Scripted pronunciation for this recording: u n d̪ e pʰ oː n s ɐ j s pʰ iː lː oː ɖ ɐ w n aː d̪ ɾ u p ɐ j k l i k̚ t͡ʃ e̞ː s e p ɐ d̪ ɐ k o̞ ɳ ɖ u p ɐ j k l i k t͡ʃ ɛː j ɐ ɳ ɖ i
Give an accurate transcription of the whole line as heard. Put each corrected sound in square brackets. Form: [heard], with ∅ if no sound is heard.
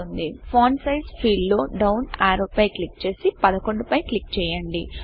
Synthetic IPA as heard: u n d̪ [i] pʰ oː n s ɐ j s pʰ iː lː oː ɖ ɐ w n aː [∅] ɾ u p ɐ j k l i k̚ t͡ʃ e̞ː s [i] p ɐ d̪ ɐ k o̞ ɳ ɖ u p ɐ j k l i k t͡ʃ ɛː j ɐ ɳ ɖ i